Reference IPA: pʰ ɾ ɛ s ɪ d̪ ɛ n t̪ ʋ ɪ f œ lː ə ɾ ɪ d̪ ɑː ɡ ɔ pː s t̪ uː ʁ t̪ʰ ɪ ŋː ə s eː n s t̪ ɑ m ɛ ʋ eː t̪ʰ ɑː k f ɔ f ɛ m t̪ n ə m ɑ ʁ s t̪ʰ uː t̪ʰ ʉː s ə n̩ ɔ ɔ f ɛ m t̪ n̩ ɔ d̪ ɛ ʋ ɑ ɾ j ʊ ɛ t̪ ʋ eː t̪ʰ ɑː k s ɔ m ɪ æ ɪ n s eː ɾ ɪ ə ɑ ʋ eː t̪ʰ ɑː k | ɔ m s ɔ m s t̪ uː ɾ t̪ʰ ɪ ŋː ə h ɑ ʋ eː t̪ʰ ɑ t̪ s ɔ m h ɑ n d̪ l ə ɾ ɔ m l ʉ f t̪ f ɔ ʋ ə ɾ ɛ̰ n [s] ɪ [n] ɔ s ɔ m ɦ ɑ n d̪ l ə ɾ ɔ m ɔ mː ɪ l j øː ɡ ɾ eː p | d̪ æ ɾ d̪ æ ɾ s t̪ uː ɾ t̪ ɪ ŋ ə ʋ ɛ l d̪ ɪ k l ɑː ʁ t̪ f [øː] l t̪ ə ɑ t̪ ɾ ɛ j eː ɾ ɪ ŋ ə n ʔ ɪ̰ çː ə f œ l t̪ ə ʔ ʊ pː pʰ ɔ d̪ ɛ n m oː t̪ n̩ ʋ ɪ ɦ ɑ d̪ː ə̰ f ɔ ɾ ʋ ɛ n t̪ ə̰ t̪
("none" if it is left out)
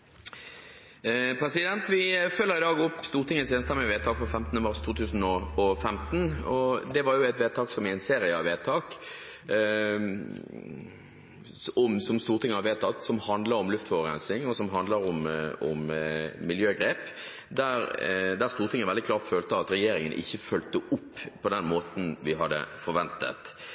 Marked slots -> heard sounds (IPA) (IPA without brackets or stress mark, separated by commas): s, ŋ, øː